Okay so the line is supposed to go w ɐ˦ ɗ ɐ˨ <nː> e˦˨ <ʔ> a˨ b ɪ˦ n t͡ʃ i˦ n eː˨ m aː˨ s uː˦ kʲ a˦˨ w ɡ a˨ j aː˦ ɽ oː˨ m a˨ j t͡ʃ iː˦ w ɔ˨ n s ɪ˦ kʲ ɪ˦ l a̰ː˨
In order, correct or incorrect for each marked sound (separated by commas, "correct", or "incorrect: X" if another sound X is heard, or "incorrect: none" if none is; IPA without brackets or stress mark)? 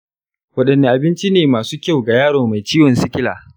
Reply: correct, correct